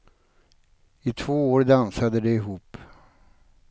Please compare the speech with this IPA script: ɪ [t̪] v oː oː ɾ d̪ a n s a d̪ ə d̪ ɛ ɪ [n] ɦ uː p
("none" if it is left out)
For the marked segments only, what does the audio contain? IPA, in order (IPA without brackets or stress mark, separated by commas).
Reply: t̪ʰ, none